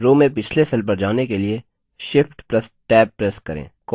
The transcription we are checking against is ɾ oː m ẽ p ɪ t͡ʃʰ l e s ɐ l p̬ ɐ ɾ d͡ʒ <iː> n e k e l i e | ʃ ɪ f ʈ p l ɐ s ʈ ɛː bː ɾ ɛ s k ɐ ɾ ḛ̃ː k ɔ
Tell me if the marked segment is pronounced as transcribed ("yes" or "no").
no